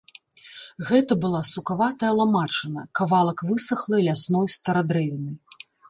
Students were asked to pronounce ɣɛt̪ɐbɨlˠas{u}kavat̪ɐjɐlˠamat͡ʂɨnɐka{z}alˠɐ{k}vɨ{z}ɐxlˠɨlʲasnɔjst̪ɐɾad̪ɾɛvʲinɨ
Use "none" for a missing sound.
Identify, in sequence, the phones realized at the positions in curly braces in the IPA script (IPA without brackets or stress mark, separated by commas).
u, v, k, s